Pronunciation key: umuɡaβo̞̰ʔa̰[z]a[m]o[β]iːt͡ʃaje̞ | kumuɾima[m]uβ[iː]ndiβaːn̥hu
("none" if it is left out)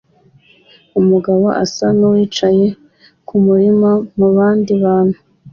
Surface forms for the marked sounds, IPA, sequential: s, n, w, m, aː

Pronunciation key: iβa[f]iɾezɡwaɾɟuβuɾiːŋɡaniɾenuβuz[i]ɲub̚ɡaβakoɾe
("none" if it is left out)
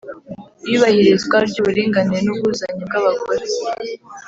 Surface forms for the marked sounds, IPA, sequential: h, a

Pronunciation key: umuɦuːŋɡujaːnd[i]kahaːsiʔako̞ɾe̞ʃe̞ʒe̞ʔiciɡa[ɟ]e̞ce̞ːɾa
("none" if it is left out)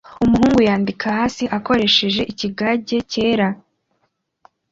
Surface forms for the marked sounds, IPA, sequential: i, ɟ

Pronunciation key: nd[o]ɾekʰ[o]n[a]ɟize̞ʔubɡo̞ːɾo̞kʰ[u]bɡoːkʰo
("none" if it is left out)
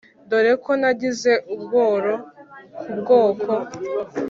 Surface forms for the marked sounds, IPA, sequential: o, o, a, u

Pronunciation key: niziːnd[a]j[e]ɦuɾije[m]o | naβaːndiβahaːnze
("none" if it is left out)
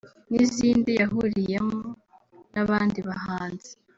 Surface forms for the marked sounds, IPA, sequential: i, a, m

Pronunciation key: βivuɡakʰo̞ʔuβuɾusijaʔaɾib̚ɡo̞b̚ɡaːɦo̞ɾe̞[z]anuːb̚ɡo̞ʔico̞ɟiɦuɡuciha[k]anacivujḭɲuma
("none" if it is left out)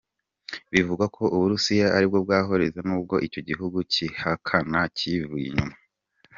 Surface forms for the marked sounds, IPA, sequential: z, kʰ

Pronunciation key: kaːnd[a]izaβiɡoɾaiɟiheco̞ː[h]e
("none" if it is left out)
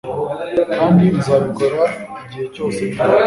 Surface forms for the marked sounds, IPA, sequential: i, s

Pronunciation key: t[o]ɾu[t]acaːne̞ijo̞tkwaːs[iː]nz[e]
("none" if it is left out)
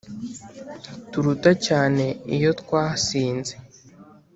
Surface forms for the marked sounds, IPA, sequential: u, t, iː, e

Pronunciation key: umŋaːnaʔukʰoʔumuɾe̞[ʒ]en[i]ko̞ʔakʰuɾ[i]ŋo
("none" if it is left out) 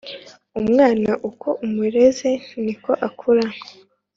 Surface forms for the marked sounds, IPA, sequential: z, i, a

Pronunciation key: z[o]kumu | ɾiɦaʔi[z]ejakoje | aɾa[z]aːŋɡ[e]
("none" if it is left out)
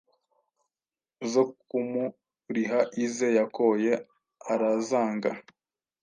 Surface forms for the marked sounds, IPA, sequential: o, z, z, a

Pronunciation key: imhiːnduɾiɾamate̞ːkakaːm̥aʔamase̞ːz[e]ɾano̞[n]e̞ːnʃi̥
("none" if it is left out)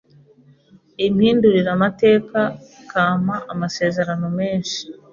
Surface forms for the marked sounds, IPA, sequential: e, m

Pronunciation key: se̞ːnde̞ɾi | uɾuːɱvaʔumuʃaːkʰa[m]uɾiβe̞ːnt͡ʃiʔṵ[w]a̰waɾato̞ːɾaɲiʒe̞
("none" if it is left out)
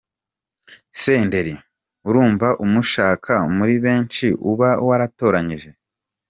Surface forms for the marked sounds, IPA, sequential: m, β

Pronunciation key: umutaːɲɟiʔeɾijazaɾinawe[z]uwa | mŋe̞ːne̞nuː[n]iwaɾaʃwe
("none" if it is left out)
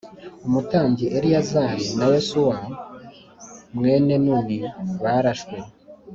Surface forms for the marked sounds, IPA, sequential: s, n

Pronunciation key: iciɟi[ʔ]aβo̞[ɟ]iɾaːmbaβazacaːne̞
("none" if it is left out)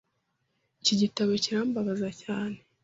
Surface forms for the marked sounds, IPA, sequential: t, c

